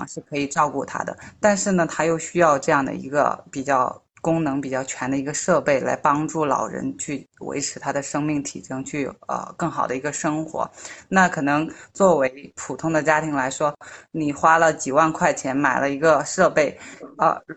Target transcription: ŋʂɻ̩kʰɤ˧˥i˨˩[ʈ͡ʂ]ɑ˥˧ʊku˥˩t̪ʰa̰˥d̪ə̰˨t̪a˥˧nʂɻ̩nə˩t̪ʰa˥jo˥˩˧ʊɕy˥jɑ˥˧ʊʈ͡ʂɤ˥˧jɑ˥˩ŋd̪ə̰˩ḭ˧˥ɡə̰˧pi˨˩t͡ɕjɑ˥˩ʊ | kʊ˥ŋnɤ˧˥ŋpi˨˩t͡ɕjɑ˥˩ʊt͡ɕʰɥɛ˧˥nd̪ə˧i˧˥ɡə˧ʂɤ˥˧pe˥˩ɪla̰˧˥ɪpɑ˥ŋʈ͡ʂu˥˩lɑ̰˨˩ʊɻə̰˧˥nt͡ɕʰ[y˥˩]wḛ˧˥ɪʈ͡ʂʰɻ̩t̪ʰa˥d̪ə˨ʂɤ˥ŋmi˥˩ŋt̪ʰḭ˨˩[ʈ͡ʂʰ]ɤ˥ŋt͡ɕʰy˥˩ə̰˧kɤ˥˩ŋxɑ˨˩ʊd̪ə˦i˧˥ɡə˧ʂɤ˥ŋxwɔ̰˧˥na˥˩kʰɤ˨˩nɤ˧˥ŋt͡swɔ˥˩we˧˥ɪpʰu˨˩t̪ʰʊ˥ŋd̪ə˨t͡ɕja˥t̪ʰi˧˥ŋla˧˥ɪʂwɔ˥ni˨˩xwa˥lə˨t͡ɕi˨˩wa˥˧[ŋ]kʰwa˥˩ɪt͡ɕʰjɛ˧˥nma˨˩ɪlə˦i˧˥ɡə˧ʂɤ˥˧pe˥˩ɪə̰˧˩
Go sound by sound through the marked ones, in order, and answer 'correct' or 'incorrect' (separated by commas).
correct, correct, incorrect, incorrect